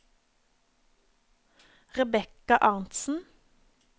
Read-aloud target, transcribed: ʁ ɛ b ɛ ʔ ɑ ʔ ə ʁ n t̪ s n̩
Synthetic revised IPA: ʁ ɛ b ɛ k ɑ ʔ ɑ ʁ n t̪ s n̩